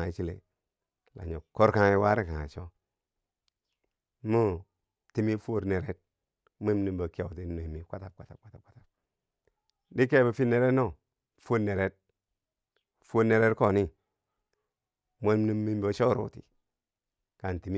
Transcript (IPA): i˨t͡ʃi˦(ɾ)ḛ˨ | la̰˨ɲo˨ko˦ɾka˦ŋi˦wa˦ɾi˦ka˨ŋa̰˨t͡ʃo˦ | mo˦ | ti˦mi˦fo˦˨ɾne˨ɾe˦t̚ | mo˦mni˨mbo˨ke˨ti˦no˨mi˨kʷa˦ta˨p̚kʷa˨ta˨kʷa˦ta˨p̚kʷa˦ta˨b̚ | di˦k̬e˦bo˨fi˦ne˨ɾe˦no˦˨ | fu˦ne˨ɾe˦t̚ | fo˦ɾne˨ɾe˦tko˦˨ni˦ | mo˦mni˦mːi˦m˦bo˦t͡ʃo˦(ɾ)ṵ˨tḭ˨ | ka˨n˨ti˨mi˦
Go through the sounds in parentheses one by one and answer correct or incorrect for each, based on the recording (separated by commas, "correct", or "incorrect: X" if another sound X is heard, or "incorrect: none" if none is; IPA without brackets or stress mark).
incorrect: l, correct